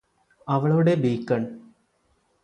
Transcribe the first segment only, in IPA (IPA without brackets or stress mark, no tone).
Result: ɐ